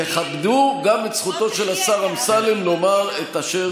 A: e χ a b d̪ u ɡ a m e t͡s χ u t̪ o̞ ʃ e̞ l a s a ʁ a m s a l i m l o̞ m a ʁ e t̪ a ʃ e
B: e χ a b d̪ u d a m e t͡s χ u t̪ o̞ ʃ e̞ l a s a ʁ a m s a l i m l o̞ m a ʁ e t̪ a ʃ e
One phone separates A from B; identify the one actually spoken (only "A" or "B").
A